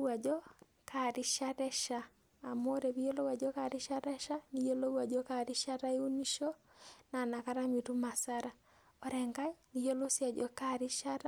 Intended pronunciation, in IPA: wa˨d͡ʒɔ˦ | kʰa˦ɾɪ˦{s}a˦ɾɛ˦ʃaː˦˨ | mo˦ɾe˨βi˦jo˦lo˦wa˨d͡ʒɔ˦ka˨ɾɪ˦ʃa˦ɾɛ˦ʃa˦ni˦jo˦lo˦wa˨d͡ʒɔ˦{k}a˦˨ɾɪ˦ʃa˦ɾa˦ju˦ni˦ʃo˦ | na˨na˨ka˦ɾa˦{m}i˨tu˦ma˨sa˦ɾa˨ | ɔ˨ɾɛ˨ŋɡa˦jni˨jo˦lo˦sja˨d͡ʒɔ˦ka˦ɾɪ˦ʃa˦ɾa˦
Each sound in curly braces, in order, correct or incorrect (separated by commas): incorrect, correct, correct